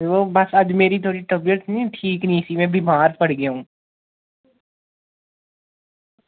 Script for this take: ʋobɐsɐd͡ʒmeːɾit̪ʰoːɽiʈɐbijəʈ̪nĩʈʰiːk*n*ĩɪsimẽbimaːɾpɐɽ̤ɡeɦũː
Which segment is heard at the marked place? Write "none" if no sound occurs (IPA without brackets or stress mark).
n